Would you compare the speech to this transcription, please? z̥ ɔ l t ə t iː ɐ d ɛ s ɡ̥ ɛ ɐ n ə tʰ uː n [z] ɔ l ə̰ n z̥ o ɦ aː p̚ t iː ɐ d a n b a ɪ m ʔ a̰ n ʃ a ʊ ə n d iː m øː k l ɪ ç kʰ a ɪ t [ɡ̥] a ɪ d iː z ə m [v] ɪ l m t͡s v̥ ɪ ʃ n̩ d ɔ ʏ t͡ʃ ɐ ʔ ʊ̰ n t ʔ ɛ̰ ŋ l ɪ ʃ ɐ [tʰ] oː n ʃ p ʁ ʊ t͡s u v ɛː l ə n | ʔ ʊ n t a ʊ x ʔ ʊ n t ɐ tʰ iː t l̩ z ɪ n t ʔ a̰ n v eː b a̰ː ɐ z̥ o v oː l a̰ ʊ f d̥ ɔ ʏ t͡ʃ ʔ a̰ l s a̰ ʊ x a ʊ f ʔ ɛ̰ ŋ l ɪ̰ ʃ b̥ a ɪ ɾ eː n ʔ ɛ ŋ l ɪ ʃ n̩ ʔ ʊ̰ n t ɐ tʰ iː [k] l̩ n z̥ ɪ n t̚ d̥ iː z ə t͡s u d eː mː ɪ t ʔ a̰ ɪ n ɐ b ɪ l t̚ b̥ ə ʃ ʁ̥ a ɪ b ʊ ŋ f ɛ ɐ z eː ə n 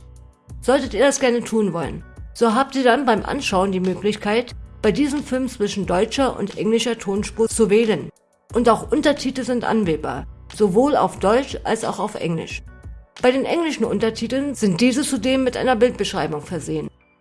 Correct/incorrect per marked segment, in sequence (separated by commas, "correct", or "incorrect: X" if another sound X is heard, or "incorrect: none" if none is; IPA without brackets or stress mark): incorrect: v, incorrect: b̥, incorrect: f, correct, incorrect: t